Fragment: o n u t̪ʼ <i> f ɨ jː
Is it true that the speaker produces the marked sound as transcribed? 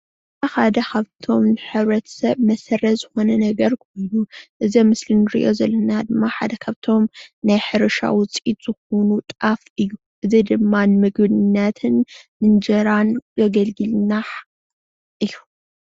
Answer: no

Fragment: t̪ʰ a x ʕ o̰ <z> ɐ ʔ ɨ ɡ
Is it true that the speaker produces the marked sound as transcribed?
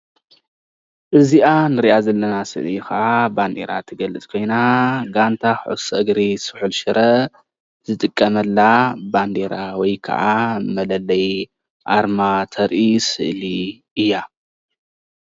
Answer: no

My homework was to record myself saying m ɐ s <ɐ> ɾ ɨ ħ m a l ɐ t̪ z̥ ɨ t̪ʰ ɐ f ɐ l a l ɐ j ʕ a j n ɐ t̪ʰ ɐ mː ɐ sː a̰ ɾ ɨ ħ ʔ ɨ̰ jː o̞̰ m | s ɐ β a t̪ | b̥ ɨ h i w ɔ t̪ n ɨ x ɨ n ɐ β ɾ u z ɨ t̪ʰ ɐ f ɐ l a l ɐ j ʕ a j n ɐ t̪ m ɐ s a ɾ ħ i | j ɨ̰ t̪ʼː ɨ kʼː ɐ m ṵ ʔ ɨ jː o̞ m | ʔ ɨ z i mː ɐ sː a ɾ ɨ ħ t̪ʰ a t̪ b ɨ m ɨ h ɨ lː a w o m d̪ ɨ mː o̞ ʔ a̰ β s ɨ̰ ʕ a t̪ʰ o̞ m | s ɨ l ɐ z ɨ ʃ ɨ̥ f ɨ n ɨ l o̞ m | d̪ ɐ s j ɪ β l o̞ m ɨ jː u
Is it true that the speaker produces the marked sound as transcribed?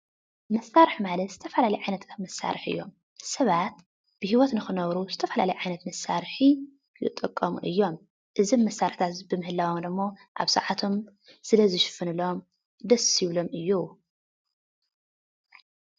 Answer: no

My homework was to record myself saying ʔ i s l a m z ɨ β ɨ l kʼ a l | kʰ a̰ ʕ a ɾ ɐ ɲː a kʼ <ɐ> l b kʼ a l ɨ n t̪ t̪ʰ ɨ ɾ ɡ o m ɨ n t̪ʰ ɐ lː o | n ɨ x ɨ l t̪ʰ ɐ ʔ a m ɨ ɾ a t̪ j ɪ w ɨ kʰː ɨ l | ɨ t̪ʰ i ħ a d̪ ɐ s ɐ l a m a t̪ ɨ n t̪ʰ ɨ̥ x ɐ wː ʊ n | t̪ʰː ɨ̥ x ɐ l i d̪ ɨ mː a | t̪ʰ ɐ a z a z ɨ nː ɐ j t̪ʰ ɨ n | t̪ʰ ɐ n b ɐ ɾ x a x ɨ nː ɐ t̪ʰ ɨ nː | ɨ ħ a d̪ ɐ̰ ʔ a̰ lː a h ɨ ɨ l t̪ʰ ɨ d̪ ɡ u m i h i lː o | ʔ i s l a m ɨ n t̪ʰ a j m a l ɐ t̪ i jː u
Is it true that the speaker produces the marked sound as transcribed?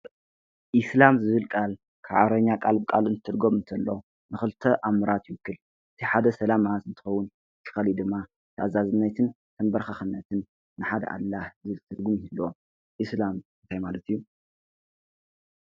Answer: no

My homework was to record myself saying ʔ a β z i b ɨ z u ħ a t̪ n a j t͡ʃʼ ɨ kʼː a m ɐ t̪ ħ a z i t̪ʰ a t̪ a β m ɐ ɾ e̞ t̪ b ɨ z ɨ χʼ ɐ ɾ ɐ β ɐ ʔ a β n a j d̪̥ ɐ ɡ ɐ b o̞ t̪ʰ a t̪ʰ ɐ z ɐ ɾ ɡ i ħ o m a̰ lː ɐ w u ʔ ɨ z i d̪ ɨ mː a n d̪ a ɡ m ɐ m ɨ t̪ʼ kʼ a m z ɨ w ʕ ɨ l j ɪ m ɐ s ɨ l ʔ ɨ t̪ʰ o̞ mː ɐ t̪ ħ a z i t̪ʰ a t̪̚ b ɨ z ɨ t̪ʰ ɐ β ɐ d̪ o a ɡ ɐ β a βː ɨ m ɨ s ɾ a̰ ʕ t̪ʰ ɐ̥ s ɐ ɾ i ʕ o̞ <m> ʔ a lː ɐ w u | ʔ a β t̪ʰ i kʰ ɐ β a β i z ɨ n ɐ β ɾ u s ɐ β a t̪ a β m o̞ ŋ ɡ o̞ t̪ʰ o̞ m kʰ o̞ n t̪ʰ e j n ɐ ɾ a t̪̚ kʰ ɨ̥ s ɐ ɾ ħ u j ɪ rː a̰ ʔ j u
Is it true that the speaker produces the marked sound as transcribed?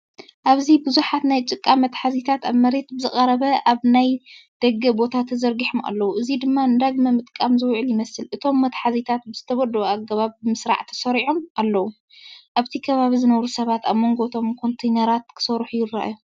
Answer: yes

